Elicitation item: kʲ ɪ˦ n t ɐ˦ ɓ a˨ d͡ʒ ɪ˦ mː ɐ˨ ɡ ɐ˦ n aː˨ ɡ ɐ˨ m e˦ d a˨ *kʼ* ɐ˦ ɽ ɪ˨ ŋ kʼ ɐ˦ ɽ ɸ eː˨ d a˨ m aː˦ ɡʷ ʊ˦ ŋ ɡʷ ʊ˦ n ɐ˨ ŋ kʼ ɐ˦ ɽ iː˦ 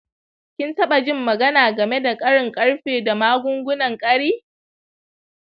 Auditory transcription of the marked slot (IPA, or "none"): kʼ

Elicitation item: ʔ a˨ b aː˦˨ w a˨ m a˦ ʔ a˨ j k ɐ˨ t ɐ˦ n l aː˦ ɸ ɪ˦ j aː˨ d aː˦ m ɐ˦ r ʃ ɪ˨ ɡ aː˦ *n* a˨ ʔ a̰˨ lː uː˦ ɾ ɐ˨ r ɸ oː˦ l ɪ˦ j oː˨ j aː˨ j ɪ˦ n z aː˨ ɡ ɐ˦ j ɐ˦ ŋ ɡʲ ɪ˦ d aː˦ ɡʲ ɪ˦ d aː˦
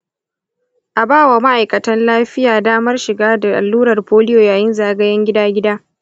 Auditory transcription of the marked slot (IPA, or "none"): d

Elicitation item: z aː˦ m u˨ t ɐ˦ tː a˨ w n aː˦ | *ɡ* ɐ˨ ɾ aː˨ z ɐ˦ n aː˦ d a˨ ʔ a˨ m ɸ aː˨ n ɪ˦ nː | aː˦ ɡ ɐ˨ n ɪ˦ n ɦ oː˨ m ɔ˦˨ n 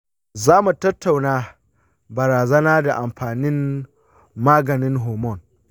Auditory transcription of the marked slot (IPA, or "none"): b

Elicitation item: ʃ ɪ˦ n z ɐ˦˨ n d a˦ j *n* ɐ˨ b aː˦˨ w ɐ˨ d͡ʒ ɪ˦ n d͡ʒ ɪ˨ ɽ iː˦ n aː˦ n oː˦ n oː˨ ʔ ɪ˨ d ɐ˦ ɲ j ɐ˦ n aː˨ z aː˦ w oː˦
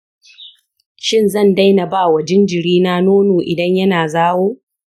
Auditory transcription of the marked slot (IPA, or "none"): n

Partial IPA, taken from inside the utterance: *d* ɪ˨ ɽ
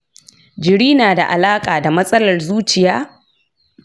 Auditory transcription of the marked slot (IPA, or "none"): d͡ʒ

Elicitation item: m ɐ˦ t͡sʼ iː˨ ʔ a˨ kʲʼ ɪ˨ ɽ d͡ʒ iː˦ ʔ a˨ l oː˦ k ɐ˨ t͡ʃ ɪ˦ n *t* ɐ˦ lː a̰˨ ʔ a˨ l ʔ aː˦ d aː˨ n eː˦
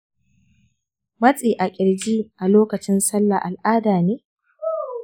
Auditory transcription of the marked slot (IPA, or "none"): s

